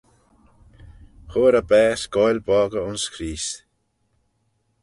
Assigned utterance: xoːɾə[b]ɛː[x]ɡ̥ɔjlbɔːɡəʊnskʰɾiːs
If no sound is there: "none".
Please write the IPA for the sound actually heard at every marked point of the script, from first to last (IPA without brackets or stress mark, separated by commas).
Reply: b, s